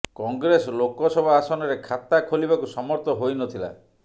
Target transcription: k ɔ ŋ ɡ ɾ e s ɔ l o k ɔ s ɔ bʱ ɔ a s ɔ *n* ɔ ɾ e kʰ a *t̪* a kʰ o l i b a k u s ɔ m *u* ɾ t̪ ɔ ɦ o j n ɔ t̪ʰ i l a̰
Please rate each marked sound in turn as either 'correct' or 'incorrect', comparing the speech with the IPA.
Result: correct, correct, incorrect: ɔ

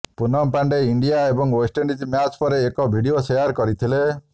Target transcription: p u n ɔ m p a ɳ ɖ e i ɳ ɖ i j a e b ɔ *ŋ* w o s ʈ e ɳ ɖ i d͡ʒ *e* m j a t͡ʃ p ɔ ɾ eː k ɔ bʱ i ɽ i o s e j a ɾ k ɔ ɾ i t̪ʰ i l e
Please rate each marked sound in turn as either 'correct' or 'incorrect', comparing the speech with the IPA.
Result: correct, incorrect: i

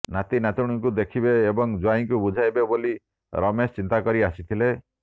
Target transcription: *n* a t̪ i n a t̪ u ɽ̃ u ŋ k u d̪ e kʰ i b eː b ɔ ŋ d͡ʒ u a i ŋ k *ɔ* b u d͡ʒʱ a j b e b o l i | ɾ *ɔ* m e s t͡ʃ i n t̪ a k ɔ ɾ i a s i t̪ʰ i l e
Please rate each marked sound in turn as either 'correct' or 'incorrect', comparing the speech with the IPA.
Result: correct, incorrect: u, correct

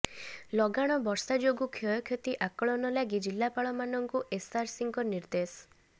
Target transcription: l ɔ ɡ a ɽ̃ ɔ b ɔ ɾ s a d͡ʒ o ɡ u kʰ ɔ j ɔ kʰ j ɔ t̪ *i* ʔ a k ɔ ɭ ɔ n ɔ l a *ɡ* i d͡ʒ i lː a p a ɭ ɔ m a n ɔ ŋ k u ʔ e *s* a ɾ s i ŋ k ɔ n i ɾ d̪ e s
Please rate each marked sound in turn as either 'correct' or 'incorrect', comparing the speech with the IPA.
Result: correct, correct, correct

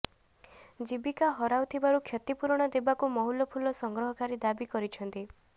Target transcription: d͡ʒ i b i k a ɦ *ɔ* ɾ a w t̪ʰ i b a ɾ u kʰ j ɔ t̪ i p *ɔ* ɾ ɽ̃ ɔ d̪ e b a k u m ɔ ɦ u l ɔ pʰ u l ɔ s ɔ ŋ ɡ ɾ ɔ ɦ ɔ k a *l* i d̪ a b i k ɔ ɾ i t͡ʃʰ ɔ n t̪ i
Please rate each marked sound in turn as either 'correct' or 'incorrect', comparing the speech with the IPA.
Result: correct, incorrect: u, incorrect: ɾ

